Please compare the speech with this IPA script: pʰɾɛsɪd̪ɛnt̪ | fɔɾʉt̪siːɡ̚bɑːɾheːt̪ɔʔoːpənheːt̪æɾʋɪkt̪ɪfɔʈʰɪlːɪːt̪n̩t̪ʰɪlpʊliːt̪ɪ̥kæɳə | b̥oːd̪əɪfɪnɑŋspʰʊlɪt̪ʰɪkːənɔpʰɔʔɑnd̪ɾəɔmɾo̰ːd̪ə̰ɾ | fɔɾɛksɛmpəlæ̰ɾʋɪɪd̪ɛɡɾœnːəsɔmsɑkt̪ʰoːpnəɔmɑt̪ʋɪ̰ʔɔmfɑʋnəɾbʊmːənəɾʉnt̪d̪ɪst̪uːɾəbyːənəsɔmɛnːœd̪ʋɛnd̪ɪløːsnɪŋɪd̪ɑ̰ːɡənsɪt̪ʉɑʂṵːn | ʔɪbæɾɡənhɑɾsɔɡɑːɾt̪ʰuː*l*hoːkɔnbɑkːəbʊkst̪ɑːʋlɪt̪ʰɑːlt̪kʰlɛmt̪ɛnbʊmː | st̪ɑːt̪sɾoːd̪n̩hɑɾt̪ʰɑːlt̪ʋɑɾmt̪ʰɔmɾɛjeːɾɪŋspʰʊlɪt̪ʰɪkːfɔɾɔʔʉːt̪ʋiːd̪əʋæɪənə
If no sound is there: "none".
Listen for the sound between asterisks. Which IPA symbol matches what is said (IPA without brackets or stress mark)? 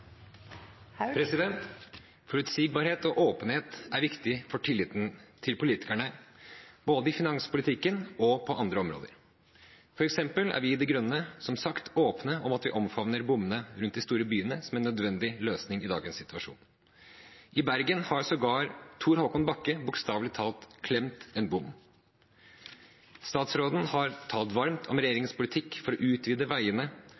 ɾ